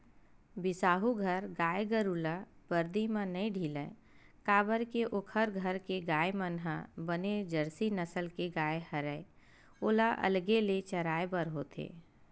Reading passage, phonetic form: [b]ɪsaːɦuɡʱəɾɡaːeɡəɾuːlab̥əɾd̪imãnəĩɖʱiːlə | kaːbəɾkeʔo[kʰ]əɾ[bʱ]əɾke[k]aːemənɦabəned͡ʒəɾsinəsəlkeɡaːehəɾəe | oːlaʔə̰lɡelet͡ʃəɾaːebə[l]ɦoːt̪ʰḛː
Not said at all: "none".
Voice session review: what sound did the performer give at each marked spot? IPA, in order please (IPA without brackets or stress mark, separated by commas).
b, kʰ, ɡʱ, ɡ, ɾ